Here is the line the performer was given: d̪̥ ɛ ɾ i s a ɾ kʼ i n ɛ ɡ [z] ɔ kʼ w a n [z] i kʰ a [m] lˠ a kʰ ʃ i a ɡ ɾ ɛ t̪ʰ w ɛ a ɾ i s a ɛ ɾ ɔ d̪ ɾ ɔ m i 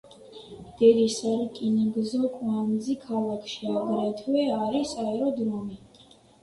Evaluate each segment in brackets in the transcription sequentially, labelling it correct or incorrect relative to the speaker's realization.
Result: correct, correct, incorrect: none

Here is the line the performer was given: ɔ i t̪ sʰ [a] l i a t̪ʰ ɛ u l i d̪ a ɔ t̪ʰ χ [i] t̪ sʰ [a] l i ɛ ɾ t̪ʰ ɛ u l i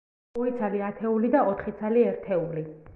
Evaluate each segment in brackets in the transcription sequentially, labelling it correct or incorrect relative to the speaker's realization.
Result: correct, correct, correct

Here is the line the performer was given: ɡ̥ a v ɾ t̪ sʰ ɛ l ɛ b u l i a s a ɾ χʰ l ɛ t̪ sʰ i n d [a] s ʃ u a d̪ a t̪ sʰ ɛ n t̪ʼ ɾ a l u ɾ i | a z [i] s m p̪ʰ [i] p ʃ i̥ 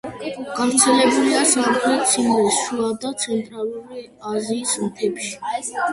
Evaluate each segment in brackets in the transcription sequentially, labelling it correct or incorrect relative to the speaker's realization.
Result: incorrect: i, incorrect: iː, incorrect: ɛ

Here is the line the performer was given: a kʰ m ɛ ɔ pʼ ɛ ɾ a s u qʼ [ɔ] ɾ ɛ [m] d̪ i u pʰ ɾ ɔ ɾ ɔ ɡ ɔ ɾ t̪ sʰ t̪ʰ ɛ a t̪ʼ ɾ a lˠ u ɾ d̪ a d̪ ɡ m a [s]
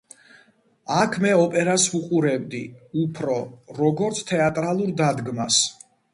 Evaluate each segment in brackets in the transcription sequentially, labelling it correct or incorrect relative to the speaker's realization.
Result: incorrect: u, incorrect: b, correct

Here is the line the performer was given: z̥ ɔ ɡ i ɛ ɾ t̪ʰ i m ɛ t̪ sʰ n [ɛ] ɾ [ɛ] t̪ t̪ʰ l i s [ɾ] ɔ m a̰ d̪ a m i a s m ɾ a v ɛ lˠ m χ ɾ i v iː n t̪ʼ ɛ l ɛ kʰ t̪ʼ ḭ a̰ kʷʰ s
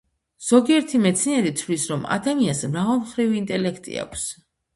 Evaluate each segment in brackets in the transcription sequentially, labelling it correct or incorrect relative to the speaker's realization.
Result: correct, incorrect: i, correct

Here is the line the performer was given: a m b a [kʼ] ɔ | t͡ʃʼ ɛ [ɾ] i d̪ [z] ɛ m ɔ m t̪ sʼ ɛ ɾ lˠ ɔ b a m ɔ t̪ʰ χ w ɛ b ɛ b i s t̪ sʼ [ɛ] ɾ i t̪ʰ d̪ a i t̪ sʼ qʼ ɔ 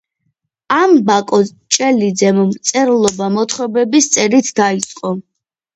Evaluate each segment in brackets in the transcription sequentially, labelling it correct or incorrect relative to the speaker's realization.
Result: correct, incorrect: l, correct, correct

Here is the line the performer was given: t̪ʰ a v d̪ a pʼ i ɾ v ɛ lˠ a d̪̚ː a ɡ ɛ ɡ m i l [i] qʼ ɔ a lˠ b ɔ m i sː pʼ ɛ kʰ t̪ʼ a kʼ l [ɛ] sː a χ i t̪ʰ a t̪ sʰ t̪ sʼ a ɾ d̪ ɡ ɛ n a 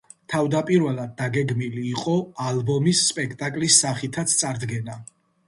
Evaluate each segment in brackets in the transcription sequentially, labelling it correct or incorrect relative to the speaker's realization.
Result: incorrect: iː, incorrect: i

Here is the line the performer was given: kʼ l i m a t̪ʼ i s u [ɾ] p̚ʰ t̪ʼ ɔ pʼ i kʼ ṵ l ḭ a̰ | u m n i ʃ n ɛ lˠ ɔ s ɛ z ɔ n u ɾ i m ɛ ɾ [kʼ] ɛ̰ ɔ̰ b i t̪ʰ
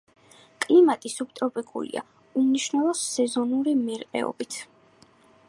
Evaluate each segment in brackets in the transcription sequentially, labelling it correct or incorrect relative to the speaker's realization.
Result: incorrect: none, incorrect: qʼ

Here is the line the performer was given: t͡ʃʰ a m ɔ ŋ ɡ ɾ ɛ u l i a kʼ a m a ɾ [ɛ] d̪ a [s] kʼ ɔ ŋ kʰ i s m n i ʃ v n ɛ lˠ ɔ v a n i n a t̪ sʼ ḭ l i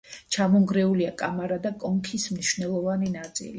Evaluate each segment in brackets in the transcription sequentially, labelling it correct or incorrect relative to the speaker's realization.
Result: incorrect: a, incorrect: none

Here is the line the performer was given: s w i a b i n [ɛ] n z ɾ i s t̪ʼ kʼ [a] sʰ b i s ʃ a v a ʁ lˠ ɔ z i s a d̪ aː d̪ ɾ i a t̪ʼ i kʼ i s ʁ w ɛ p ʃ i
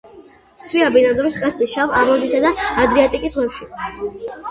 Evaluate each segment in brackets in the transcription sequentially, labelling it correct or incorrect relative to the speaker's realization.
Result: incorrect: a, correct

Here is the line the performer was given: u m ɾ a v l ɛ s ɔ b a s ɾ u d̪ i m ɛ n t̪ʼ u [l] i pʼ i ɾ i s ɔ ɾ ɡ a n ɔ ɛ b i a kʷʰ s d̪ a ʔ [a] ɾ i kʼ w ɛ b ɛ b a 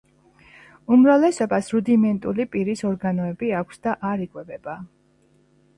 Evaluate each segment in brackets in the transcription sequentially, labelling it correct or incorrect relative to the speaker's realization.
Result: correct, correct

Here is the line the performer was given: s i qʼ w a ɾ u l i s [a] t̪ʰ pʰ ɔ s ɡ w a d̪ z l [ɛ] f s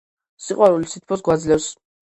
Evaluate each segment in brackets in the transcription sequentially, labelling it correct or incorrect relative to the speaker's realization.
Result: incorrect: i, correct

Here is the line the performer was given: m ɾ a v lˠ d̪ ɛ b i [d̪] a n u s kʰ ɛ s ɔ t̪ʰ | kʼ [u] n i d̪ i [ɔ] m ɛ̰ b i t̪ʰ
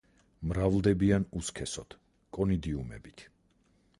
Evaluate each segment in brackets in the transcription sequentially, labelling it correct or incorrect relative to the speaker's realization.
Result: incorrect: none, incorrect: ɔ, incorrect: u

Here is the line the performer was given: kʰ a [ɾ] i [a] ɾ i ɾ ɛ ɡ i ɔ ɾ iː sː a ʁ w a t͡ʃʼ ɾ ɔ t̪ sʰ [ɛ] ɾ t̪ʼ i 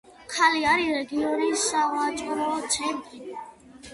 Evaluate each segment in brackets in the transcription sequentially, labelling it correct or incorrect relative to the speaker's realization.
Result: incorrect: l, correct, correct

